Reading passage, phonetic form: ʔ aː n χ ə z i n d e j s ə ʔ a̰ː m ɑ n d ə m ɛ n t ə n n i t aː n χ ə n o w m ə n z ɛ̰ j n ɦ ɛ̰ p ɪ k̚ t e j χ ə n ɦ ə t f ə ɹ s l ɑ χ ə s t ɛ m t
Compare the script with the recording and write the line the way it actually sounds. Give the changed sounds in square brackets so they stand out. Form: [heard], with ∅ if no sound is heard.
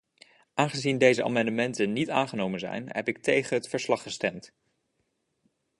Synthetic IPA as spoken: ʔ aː n χ ə z i n d e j [z] ə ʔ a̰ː m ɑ n d ə m ɛ n t ə n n i t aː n χ ə n o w m ə n z ɛ̰ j n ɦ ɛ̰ p ɪ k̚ t e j χ ə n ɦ ə t f ə ɹ s l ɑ χ ə s t ɛ m t